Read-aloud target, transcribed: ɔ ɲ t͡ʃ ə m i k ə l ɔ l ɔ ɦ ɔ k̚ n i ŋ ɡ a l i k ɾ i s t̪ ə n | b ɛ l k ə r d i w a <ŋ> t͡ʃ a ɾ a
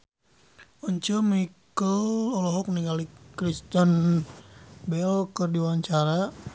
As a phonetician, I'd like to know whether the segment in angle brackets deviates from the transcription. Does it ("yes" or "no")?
yes